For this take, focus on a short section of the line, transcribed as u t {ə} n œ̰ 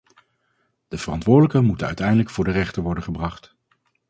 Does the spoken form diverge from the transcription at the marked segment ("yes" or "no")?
no